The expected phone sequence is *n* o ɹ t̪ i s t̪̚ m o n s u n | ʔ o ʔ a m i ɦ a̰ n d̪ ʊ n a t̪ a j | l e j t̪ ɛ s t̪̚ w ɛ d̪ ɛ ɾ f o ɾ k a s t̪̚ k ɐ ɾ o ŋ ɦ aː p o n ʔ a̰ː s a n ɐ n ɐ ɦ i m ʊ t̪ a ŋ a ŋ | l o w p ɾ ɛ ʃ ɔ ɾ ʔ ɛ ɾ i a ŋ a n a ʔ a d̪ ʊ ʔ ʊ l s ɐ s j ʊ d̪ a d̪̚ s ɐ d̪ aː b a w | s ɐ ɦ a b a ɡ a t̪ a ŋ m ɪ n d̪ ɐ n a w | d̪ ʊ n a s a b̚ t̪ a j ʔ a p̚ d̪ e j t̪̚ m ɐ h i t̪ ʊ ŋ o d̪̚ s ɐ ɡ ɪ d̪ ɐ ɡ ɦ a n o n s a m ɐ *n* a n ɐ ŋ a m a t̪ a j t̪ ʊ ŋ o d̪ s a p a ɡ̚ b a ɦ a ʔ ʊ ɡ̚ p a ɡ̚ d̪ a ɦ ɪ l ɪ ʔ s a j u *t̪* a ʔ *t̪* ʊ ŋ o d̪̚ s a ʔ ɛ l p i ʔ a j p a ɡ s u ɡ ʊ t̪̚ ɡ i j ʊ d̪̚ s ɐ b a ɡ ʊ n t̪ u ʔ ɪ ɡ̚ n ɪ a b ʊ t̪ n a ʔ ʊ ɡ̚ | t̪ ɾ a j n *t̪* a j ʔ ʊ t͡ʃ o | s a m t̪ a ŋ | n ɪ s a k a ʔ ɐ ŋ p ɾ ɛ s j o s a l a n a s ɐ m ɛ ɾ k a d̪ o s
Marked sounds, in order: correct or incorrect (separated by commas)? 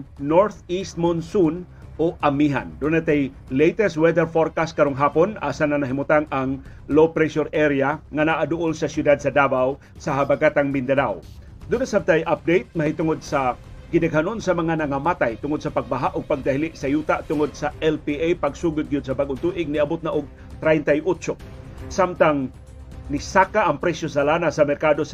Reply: correct, incorrect, correct, correct, correct